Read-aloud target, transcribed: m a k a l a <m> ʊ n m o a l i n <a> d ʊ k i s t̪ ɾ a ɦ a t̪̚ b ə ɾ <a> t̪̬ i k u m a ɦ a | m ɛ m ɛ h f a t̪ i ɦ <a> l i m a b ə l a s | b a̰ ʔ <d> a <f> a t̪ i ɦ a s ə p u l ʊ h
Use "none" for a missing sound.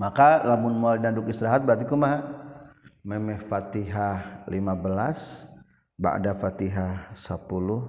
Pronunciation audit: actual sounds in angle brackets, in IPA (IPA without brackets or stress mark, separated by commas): m, a, a, a, d, f